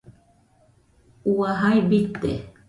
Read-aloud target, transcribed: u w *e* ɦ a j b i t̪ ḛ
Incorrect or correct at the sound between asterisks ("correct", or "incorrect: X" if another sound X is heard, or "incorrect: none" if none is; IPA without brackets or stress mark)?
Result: incorrect: a